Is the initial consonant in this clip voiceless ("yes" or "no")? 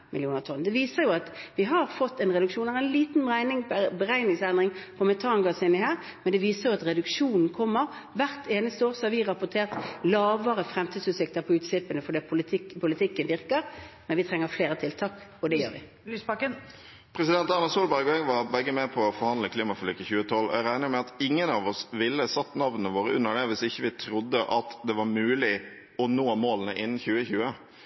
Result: no